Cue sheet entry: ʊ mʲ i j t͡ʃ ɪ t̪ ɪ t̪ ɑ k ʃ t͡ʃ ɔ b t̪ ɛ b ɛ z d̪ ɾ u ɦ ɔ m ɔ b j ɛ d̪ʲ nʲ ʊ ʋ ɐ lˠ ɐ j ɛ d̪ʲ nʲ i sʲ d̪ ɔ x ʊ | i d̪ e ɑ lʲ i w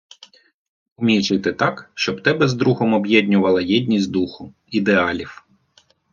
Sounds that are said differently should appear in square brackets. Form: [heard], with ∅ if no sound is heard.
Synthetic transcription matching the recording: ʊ mʲ i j t͡ʃ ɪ t̪ ɪ t̪ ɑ k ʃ t͡ʃ ɔ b t̪ ɛ b ɛ z d̪ ɾ u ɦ ɔ m ɔ b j ɛ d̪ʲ nʲ ʊ ʋ ɐ lˠ ɐ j ɛ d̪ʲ nʲ i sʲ d̪ [u] x ʊ | i d̪ e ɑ lʲ i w